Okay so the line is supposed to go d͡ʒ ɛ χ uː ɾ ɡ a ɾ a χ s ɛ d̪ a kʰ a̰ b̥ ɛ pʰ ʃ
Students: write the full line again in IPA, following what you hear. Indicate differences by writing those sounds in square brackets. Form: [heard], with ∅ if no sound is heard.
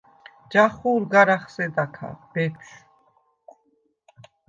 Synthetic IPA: d͡ʒ [a] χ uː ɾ ɡ a ɾ a χ s ɛ d̪ a kʰ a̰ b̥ ɛ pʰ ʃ